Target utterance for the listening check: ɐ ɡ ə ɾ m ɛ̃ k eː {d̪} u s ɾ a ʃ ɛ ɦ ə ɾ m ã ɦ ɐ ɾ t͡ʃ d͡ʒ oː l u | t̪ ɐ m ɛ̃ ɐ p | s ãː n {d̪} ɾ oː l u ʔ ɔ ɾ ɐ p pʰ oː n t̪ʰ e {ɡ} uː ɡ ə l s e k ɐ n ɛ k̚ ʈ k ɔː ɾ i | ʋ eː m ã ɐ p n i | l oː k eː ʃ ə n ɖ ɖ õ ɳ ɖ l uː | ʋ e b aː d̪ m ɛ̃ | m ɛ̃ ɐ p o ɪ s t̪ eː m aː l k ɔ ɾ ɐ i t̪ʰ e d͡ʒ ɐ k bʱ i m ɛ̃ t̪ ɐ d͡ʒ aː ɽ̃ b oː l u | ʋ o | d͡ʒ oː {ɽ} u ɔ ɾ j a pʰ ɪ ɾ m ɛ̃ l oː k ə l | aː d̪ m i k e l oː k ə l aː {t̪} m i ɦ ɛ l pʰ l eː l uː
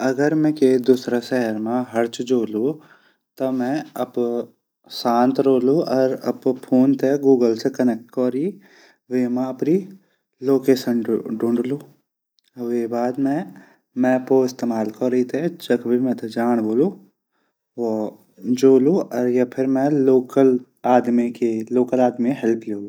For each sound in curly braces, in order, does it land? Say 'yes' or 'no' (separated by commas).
yes, no, yes, no, no